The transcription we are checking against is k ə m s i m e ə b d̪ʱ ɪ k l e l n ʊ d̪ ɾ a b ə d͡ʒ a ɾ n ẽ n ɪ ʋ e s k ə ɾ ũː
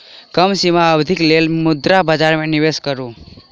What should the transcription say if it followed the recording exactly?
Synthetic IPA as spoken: k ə m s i m a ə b d̪ʱ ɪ k l e l m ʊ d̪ ɾ a b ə d͡ʒ a ɾ m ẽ n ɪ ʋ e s k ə ɾ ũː